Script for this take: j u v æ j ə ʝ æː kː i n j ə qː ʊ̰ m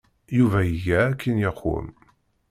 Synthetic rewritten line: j u v æ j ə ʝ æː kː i n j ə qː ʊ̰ m